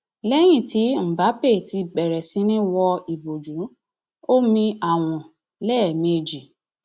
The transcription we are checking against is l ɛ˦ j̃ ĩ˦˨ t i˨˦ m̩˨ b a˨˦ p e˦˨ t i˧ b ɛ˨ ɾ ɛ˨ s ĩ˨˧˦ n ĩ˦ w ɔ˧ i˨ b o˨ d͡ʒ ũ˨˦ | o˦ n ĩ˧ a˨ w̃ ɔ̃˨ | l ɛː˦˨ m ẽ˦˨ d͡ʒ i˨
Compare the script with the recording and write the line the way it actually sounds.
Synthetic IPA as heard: l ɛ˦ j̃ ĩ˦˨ t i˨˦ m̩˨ b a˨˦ p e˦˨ t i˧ b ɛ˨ ɾ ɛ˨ s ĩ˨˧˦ n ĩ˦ w ɔ˧ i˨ b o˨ d͡ʒ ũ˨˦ | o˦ m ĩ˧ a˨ w̃ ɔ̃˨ | l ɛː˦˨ m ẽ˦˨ d͡ʒ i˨